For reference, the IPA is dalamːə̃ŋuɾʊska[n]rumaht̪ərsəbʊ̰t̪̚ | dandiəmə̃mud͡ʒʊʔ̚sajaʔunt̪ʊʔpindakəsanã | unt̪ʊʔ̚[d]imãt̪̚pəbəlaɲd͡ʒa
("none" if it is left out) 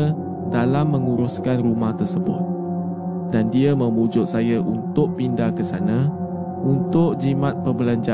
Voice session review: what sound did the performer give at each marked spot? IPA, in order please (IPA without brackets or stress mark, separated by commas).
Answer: n, d͡ʒ